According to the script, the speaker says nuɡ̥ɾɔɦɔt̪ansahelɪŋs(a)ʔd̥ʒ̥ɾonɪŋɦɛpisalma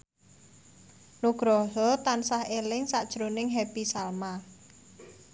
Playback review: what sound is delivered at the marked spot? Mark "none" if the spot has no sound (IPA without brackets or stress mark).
a